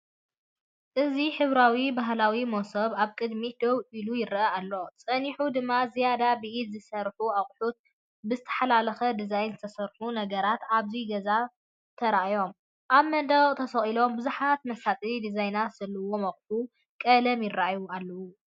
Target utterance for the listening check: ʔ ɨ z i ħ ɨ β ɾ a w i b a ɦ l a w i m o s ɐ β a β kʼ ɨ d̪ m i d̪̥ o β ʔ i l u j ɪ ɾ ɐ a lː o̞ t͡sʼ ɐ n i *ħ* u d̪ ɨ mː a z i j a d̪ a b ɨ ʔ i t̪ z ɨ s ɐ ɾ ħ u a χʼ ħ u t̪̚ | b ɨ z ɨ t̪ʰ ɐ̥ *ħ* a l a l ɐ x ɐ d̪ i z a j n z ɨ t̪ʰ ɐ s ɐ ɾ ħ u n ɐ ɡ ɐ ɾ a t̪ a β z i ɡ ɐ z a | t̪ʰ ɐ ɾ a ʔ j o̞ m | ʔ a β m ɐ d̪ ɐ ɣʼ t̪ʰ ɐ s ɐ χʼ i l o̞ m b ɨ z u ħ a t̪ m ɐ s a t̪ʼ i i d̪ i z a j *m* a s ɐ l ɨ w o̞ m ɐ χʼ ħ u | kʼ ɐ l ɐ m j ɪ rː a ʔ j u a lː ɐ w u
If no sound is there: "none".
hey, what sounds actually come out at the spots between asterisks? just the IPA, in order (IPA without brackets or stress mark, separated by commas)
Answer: ħ, ħ, n